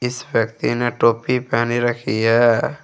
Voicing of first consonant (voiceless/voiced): voiceless